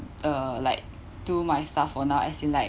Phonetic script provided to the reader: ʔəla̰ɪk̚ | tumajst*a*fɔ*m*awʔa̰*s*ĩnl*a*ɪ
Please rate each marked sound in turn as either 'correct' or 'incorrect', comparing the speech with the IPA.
correct, incorrect, correct, correct

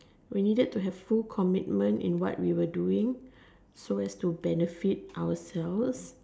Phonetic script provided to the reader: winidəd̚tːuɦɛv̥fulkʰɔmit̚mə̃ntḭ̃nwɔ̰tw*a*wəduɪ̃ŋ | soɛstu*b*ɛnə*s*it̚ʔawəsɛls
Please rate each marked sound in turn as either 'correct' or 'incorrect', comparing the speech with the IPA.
incorrect, correct, incorrect

